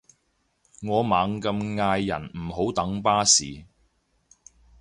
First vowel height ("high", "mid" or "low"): mid